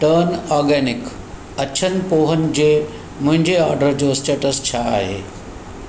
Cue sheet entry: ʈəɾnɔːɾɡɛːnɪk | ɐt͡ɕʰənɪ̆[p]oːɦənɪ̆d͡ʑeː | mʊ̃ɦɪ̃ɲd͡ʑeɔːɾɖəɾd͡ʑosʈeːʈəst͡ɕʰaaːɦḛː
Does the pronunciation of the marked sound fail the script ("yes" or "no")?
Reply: no